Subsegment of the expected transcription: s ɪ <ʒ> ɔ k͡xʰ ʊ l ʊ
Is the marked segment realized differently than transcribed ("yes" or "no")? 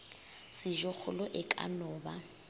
no